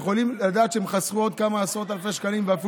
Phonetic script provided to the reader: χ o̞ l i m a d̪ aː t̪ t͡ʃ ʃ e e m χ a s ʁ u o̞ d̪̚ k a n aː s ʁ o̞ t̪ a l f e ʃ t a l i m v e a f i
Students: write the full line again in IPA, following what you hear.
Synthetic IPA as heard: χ o̞ l i m a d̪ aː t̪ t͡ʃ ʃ e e m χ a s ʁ u o̞ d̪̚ k a m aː s ʁ o̞ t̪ a l f e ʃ k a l i m v e a f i